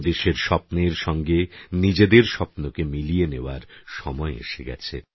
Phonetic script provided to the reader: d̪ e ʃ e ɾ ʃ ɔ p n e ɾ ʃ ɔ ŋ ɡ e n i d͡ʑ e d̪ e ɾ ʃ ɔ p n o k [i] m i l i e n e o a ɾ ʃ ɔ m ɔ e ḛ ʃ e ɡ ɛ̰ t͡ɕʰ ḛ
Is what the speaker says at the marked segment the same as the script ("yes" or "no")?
no